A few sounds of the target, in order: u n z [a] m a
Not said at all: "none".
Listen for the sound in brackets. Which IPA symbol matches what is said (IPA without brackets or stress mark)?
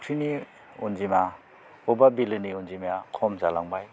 i